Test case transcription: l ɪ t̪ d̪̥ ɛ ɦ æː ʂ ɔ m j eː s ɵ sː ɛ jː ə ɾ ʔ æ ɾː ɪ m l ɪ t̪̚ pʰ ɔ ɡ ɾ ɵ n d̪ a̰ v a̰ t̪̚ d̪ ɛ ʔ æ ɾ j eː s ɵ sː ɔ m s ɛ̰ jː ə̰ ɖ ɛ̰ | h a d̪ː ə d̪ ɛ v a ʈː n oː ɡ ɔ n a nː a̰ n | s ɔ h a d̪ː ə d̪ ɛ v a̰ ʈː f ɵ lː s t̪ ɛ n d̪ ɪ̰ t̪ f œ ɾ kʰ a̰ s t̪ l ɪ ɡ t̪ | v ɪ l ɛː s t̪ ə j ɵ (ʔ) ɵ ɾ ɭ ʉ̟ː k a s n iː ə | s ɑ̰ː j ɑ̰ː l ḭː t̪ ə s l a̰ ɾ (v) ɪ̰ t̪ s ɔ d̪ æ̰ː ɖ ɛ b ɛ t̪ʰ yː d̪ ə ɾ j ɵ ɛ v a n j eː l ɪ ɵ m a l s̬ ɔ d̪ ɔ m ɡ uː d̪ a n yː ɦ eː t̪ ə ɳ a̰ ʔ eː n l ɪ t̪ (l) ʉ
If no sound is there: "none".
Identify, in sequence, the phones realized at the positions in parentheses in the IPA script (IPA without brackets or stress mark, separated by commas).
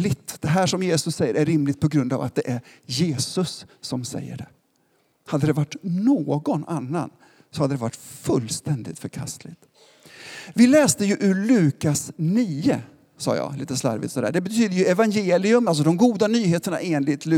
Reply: ʔ, v, l